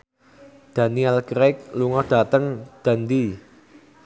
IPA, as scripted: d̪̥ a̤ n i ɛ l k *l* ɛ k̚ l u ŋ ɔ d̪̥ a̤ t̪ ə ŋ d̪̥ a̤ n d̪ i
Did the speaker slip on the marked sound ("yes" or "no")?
yes